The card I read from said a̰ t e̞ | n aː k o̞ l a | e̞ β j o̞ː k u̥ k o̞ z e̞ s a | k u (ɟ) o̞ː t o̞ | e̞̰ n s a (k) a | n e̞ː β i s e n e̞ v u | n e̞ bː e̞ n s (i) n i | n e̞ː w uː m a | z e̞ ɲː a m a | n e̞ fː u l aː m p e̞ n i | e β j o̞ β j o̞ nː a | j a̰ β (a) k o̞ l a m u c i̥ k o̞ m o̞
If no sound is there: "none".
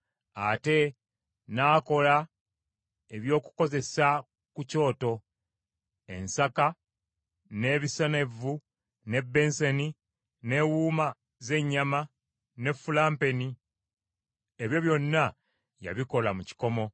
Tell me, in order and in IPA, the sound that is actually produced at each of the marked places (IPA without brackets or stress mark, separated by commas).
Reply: c, k, e, i